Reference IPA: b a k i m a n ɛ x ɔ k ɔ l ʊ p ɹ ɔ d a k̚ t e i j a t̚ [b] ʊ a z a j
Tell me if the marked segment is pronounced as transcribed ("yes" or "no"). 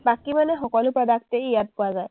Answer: no